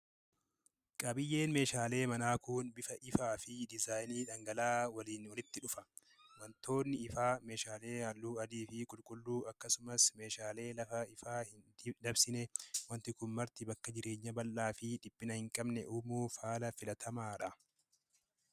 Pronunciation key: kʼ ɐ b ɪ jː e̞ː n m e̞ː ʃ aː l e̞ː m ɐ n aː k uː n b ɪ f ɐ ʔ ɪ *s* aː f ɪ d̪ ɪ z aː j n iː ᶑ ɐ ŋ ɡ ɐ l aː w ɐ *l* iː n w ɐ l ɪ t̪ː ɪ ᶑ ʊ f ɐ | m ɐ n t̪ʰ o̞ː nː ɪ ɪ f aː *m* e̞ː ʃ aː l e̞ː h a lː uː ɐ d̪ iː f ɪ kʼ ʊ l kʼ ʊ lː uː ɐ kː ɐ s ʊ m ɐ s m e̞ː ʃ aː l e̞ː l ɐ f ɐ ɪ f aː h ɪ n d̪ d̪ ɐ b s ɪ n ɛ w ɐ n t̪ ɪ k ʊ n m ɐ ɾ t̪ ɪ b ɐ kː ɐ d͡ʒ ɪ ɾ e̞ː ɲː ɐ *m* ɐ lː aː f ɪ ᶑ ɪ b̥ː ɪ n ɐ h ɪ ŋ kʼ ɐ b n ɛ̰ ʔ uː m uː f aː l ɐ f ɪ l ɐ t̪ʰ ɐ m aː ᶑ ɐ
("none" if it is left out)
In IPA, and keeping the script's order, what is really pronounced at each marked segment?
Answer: f, l, m, b

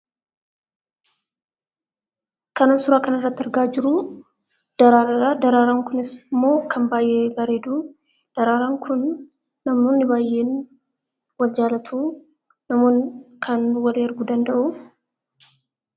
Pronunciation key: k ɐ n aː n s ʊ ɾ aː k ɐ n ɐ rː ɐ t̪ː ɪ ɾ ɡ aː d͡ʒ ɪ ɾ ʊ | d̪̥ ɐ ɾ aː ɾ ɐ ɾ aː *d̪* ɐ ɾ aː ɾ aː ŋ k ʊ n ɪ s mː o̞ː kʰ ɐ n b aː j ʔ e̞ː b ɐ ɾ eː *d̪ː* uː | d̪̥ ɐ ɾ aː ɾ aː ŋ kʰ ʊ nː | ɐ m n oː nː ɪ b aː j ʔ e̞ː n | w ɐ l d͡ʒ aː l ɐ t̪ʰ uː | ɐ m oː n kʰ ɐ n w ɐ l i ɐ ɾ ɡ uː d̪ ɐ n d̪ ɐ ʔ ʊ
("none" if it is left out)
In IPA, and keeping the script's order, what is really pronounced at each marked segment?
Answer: d̪, d̪

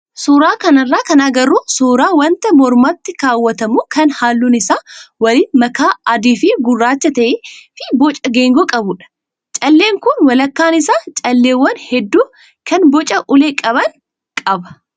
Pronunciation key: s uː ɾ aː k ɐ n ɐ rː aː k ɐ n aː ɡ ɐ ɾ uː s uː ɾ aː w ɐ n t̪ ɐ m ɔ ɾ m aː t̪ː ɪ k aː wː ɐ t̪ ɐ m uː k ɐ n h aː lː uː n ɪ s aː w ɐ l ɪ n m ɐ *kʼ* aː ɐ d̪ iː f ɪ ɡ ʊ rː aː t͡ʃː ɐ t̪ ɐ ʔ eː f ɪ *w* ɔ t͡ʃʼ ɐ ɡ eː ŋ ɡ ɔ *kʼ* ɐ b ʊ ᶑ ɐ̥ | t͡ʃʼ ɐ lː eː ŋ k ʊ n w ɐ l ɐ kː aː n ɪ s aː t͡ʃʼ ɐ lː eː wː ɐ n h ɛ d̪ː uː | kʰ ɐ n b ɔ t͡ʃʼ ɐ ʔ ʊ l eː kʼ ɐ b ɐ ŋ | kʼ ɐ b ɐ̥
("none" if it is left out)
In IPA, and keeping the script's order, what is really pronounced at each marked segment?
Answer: k, b, kʼ

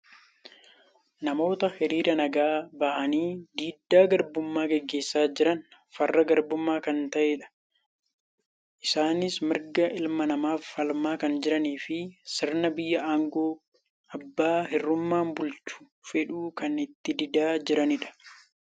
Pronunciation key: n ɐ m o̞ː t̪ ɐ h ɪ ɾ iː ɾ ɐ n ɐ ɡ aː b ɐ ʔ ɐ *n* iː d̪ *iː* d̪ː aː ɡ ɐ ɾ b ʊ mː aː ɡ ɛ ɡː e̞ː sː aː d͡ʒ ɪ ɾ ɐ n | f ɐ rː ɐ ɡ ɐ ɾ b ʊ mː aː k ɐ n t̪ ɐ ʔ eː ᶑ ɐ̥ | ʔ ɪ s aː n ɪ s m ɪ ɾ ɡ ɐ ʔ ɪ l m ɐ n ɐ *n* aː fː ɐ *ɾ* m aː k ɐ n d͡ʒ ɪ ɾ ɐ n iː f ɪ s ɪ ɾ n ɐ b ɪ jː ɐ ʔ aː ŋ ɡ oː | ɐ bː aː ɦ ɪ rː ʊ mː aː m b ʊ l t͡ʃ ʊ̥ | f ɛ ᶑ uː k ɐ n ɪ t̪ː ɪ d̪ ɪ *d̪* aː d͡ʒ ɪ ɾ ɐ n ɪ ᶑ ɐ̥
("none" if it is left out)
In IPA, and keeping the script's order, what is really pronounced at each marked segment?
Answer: n, iː, m, l, d̪

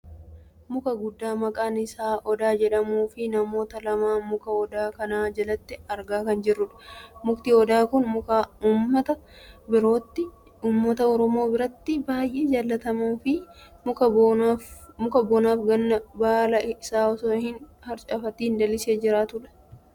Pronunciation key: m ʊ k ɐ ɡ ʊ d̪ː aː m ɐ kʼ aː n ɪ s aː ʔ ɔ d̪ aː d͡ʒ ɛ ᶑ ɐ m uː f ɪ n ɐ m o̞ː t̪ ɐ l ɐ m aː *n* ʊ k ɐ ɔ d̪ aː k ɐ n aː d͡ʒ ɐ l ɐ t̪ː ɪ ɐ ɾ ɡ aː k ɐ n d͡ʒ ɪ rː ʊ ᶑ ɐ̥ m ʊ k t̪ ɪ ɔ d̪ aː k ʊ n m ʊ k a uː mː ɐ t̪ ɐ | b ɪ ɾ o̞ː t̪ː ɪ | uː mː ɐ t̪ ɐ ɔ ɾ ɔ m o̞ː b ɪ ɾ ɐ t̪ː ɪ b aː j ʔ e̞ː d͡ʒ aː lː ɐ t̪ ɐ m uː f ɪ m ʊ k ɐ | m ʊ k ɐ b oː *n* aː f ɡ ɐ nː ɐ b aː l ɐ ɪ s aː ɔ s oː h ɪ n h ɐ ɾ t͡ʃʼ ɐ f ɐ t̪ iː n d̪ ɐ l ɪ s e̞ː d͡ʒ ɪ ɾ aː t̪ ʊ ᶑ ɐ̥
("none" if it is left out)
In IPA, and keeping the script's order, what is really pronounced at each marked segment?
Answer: m, n

